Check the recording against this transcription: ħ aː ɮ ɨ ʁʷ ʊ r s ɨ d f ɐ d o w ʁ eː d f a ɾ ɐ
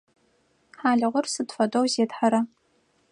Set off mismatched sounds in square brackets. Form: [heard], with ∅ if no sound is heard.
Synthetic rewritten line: ħ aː ɮ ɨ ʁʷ ʊ r s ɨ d f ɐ d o w [z] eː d [ħ] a ɾ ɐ